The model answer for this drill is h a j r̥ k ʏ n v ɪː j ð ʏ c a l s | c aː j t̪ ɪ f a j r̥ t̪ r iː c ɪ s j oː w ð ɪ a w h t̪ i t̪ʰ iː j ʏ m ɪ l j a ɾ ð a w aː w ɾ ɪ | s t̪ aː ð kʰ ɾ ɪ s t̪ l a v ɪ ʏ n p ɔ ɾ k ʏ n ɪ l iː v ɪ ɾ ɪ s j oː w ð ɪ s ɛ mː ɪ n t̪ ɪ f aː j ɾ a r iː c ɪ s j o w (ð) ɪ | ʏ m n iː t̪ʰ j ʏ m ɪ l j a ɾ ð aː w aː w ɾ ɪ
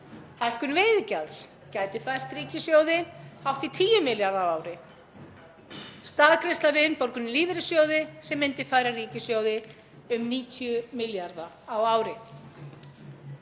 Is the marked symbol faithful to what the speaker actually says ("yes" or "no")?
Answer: yes